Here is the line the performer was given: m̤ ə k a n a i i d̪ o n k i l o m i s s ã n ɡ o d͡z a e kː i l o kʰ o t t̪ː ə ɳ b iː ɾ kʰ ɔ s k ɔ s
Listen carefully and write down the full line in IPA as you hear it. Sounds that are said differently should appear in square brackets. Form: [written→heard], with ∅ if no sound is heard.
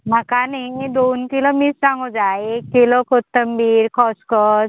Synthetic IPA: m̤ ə k a n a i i d̪ o n k i l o m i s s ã [n→ŋ] ɡ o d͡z a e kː i l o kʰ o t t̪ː ə [ɳ→m] b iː ɾ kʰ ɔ s k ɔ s